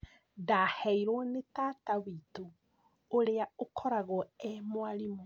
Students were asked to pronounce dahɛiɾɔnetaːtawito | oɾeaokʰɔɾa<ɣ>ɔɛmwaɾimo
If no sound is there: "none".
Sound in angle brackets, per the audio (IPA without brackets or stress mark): ɣ